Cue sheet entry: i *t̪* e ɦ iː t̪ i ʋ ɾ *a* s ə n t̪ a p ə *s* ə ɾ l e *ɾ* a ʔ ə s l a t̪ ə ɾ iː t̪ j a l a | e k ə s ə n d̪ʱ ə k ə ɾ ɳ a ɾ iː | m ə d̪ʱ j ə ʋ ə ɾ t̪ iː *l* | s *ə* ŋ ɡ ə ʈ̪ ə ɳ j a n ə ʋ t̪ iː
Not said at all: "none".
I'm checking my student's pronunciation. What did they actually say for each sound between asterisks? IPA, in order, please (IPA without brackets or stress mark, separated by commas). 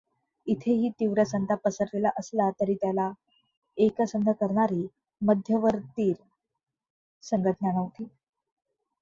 t̪ʰ, ə, s, l, ɾ, ə